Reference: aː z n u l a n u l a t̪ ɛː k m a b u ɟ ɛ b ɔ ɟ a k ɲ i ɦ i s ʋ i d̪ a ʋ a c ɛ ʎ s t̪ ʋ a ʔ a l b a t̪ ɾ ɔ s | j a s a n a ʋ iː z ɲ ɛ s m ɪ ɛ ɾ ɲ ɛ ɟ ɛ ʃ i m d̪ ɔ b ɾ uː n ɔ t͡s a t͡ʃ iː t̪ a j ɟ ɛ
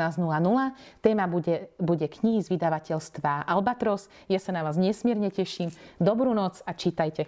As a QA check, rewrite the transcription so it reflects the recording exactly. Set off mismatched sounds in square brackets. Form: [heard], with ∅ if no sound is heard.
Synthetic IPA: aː z n u l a n u l a t̪ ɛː [∅] m a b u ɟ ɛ b [u] ɟ [ɛ] k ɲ i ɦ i [z] ʋ i d̪ a ʋ a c ɛ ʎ s t̪ ʋ a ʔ a l b a t̪ ɾ ɔ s | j a s a n a ʋ [aː] z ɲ ɛ s m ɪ ɛ ɾ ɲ ɛ [c] ɛ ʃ i m d̪ ɔ b ɾ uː n ɔ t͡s a t͡ʃ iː t̪ a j [c] ɛ